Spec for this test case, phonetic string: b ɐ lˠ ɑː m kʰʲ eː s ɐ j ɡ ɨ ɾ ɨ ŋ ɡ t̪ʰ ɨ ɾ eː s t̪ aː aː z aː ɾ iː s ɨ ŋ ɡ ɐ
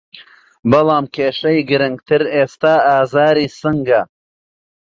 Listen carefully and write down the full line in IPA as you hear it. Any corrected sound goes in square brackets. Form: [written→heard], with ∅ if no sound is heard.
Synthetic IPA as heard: b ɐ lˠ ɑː m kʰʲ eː [s→ʃ] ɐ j ɡ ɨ ɾ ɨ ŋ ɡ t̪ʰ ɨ ɾ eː s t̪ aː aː z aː ɾ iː s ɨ ŋ ɡ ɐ